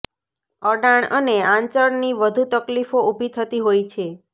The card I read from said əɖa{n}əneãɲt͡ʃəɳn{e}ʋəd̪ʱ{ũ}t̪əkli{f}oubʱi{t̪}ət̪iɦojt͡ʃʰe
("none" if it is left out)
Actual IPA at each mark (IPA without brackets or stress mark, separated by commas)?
ɳ, i, u, f, t̪ʰ